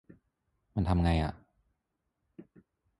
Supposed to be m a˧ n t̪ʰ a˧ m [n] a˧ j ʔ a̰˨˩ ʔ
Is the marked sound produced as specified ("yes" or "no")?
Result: no